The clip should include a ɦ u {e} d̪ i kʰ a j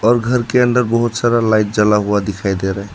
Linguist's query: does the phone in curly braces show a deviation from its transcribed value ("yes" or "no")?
yes